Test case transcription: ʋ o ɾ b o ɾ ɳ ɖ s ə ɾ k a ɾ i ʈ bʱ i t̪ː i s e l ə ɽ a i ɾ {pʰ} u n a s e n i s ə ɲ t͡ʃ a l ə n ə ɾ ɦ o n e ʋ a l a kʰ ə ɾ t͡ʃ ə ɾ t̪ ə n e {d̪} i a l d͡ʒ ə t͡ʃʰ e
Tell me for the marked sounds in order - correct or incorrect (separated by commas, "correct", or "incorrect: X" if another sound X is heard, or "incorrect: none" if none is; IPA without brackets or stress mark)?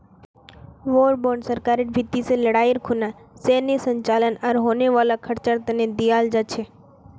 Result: incorrect: kʰ, correct